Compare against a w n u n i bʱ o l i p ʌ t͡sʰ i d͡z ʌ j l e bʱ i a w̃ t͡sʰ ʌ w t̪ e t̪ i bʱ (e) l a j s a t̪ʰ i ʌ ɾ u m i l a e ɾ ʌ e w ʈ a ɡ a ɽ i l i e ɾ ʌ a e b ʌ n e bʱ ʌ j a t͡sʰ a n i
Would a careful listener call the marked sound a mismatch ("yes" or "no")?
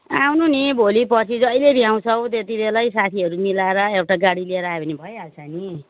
no